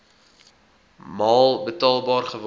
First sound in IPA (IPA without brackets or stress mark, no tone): m